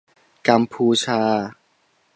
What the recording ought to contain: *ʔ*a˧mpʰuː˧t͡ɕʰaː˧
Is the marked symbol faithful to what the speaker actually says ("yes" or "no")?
no